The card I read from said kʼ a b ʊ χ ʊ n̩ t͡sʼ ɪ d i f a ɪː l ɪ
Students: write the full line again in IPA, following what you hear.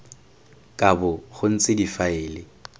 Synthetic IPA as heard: kʼ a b ʊ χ ʊ n̩ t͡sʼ ɪ d i f a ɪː l ɪ

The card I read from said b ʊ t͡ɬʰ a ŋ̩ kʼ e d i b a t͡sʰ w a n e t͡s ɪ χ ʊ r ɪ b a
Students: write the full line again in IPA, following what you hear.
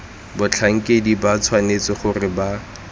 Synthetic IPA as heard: b ʊ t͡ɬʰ a ŋ̩ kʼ e d i b a t͡sʰ w a n e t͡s ɪ χ ʊ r ɪ b a

